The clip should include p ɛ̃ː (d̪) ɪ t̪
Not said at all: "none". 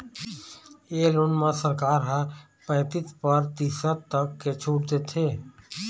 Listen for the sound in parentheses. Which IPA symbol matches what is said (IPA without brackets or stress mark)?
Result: t̪